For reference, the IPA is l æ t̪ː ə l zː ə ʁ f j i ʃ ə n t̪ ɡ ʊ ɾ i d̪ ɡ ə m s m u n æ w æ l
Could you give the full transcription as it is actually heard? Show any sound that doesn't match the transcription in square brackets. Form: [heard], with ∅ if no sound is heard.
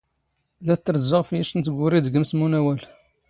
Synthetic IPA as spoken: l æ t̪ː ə [ɾ] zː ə ʁ f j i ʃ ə n t̪ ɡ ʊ ɾ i d̪ ɡ ə m s m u n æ w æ l